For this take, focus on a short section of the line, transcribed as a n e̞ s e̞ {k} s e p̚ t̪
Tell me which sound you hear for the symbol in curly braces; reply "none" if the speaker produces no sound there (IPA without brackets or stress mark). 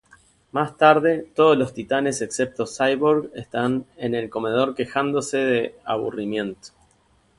k